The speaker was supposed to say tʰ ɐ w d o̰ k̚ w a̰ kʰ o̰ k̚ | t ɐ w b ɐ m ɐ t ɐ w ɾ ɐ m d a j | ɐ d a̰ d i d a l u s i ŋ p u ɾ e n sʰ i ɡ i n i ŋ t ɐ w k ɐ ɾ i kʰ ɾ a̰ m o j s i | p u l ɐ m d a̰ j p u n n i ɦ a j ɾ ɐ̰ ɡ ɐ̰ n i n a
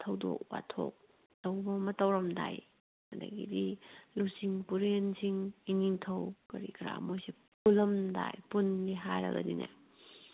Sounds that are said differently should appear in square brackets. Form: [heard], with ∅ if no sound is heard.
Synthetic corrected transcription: tʰ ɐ w d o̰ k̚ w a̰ [tʰ] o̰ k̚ | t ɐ w b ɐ m ɐ t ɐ w ɾ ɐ m d a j | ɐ d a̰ [ɡ] i d [i] l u s i ŋ p u ɾ e n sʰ i [ŋ] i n i ŋ [tʰ] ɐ w k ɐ ɾ i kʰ ɾ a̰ m o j s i | p u l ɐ m d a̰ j p u n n i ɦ a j ɾ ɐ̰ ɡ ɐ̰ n i n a